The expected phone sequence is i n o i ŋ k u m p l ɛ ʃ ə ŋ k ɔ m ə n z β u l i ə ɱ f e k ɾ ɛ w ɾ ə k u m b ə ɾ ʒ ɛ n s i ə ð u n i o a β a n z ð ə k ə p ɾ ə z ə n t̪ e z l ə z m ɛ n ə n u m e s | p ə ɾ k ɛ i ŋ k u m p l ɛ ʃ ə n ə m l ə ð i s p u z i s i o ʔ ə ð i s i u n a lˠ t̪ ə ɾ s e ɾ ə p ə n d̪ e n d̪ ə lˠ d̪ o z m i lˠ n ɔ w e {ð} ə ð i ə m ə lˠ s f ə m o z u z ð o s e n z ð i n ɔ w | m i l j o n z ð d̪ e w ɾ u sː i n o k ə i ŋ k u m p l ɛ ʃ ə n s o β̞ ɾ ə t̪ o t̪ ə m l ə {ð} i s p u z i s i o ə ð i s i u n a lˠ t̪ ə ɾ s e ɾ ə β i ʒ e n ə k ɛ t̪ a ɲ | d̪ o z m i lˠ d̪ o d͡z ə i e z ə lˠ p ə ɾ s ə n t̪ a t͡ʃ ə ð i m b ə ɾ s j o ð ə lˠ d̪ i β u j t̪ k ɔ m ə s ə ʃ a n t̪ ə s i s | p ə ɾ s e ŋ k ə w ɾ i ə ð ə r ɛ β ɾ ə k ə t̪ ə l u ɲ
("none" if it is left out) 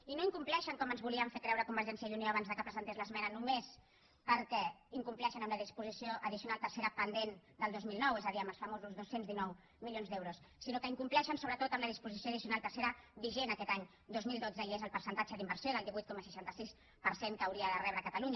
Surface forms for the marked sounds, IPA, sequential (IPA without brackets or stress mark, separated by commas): z, ð